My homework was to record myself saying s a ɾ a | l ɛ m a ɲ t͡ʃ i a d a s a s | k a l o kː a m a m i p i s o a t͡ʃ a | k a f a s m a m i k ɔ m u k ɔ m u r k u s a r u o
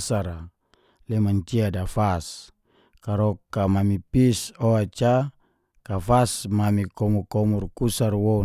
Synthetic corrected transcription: s a ɾ a | l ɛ m a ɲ t͡ʃ i a d a f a s | k a ɾ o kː a m a m i p i s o a t͡ʃ a | k a f a s m a m i k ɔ m u k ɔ m u r k u s a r w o